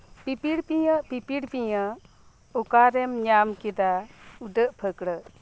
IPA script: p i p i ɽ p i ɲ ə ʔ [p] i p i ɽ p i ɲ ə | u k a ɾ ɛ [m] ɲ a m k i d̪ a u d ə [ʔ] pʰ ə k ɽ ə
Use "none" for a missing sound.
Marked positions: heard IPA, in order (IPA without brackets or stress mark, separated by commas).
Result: p, m, ʔ